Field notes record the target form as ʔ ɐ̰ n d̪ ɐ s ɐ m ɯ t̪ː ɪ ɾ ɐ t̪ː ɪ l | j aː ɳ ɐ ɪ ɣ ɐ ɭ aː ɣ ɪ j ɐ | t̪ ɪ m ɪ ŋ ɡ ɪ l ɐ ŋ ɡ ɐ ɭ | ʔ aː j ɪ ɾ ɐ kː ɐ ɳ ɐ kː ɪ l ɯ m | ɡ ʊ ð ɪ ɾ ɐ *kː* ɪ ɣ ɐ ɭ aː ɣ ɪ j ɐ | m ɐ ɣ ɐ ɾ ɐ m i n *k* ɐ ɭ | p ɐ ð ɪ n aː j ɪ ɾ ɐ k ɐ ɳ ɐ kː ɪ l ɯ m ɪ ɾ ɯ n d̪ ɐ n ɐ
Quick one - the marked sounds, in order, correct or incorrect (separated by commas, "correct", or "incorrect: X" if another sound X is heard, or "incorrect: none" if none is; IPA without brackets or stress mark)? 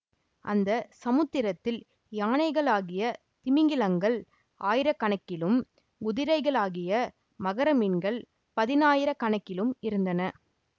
incorrect: none, incorrect: ɡ